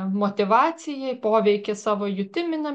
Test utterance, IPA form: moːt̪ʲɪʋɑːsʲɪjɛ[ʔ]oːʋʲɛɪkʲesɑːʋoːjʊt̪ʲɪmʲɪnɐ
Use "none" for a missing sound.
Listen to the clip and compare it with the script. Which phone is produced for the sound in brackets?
p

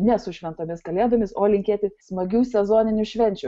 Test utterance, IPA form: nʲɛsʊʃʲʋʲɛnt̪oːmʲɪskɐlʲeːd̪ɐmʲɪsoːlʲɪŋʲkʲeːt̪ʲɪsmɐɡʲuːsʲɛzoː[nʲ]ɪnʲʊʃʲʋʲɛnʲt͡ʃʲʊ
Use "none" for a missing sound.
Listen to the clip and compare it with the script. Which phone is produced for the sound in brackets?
nʲ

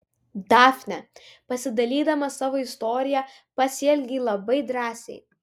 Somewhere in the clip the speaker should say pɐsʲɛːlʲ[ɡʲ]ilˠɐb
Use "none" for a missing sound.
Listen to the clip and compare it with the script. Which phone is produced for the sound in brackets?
ɡʲ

